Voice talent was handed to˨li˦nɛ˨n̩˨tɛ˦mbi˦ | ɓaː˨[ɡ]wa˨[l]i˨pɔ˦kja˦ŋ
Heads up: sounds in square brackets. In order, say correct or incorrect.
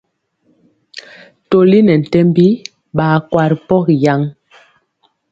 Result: incorrect, incorrect

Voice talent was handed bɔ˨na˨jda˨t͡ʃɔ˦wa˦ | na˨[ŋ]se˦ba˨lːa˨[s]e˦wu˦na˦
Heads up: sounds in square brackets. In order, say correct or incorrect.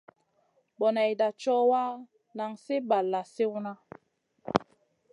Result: correct, correct

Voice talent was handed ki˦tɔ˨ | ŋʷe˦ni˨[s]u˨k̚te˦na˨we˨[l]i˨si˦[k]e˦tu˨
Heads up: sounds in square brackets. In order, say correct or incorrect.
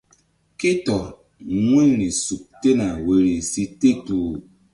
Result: correct, incorrect, incorrect

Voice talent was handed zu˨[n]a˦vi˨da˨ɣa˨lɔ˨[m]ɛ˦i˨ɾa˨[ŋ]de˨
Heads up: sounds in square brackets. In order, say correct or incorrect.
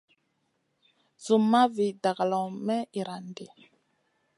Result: incorrect, correct, incorrect

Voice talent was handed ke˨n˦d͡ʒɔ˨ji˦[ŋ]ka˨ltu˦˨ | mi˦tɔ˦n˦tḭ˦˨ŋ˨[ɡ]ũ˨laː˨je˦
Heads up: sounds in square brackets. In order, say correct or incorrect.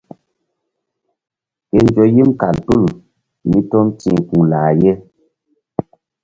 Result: incorrect, incorrect

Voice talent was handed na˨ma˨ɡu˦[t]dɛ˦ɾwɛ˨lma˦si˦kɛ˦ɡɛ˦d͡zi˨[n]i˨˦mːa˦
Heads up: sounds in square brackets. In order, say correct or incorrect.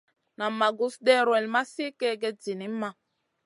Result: incorrect, correct

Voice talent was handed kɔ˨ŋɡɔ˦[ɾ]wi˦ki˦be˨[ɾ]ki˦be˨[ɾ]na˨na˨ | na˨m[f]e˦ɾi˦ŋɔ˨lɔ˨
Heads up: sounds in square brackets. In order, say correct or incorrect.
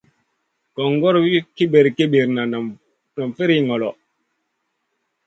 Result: correct, correct, correct, correct

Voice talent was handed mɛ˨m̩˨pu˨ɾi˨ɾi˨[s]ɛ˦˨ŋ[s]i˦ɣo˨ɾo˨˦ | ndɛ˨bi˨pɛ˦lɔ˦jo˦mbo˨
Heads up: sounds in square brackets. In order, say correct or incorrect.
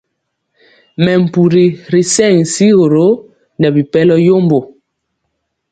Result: correct, correct

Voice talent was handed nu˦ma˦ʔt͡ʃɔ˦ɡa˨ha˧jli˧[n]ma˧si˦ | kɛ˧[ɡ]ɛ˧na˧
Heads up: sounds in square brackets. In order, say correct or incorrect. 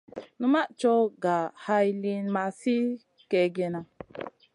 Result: correct, correct

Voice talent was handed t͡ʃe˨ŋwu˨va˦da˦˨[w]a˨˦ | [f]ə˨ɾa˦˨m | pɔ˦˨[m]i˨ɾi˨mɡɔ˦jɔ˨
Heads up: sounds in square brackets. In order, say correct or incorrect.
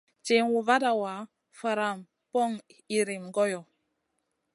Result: correct, correct, incorrect

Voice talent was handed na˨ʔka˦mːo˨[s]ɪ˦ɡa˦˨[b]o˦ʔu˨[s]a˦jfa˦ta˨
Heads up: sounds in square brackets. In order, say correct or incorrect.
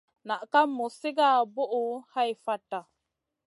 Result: correct, correct, incorrect

